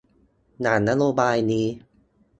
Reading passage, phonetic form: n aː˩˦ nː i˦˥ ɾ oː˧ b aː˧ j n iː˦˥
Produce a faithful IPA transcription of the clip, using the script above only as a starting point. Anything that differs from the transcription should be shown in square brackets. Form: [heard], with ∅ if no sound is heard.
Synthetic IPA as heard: n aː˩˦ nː [a˦˥] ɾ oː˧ b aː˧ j n iː˦˥